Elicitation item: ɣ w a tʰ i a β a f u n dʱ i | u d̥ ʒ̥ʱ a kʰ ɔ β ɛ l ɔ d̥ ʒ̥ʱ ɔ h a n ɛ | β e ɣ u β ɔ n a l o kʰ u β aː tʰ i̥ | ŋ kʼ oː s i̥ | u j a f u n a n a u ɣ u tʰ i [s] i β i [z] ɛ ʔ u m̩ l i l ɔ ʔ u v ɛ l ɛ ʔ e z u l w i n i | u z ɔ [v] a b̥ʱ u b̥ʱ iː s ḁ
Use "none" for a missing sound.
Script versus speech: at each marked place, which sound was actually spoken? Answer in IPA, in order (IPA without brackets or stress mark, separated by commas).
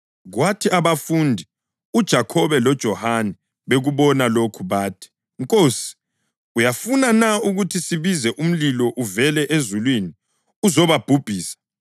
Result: s, z, β